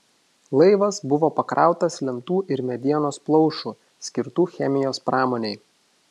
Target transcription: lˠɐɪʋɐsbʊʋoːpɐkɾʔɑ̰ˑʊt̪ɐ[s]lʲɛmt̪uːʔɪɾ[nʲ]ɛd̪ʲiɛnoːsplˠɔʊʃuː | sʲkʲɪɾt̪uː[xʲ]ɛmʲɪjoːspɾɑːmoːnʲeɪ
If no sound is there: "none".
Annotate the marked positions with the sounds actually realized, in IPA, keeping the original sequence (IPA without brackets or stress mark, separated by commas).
s, mʲ, xʲ